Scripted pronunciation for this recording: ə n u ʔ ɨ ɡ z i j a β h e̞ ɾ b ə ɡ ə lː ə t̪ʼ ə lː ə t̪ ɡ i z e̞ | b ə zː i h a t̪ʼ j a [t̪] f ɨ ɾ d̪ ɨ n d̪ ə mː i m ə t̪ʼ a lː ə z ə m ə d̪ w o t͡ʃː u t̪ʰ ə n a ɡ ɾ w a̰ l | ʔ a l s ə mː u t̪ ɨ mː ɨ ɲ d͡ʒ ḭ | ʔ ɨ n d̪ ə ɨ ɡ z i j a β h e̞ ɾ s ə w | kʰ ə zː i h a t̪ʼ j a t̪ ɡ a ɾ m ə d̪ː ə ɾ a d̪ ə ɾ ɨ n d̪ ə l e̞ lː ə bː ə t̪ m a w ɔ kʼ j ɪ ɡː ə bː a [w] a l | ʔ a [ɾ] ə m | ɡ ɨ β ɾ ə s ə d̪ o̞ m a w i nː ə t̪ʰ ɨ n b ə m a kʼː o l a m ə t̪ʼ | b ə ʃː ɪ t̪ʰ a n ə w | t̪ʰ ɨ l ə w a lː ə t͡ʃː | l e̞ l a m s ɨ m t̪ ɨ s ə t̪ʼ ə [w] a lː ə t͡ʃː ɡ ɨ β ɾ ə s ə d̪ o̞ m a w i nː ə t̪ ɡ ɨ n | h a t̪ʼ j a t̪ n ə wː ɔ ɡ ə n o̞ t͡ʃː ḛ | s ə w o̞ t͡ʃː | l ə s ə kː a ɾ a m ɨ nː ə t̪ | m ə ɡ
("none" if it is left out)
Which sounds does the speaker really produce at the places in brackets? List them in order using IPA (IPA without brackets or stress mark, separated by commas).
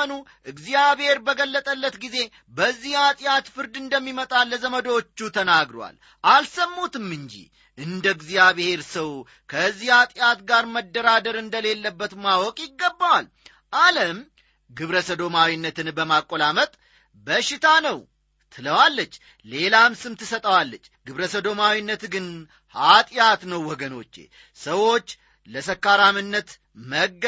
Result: t̪, w, l, w